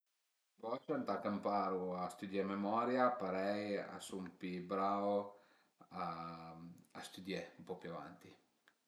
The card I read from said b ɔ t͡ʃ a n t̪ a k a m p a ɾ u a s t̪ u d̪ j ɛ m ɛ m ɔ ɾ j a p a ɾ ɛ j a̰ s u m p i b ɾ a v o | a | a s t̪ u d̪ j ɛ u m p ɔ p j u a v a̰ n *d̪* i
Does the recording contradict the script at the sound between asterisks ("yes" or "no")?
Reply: yes